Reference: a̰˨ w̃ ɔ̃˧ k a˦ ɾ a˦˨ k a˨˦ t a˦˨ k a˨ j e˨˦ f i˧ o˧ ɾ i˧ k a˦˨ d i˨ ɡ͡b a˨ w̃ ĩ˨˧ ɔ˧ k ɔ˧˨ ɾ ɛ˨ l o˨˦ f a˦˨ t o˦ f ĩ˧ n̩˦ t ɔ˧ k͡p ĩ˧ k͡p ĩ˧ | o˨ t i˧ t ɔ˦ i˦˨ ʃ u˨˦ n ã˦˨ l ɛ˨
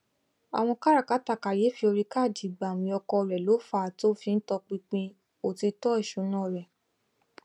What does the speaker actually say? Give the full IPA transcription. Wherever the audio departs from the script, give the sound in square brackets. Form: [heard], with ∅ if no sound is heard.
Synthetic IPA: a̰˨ w̃ ɔ̃˧ k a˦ ɾ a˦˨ k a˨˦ t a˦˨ k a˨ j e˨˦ f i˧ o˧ ɾ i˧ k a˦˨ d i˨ ɡ͡b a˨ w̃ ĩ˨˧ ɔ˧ k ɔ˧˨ ɾ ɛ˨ l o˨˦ f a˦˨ t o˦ f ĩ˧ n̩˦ t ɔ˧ k͡p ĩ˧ k͡p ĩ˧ | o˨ t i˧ t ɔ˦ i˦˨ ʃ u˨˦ n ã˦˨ [ɾ] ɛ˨